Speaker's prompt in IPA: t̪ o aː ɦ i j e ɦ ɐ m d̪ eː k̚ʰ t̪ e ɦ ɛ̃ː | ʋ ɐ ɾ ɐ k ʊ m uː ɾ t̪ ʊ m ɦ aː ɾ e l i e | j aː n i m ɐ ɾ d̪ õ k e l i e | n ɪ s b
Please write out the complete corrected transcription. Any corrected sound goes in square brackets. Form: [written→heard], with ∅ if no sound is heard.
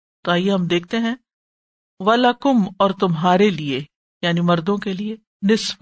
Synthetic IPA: t̪ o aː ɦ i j e ɦ ɐ m d̪ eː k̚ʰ t̪ e ɦ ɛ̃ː | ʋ ɐ [ɾ→l] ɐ k ʊ m [uː→ɔː] ɾ t̪ ʊ m ɦ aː ɾ e l i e | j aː n i m ɐ ɾ d̪ õ k e l i e | n ɪ s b